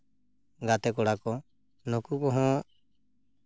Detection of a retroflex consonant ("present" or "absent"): present